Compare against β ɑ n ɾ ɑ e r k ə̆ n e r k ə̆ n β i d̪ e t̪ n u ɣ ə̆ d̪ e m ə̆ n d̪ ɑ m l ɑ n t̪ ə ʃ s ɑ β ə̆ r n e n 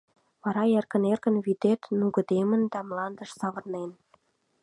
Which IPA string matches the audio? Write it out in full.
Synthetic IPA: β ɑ ɾ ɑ e r k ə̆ n e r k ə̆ n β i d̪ e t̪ n u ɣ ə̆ d̪ e m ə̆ n d̪ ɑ m l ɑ n d̪ ə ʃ s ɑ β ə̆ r n e n